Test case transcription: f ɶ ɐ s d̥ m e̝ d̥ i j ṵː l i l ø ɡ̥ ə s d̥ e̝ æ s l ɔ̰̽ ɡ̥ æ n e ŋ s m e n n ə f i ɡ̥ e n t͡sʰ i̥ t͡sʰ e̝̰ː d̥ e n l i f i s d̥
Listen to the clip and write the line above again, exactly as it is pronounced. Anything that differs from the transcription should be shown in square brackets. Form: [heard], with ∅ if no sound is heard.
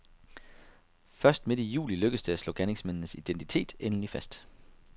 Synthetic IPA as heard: f ɶ ɐ s d̥ m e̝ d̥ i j ṵː l i l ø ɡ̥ ə s d̥ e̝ æ s l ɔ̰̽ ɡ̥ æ n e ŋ s m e n n ə [s] i [d̥] e n t͡sʰ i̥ t͡sʰ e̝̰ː d̥ e n l i f [æ] s d̥